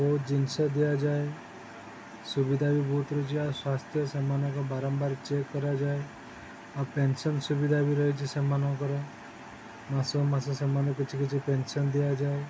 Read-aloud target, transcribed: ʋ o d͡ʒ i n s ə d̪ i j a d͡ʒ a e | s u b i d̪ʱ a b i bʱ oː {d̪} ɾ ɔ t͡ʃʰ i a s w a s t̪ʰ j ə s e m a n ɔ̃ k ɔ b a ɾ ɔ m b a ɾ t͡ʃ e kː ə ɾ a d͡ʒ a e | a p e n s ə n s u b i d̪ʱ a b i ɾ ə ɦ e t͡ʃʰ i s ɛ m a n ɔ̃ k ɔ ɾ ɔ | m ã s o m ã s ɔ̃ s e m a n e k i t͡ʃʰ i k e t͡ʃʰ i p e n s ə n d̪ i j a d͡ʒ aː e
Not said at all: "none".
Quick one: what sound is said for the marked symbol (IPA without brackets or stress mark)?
t̪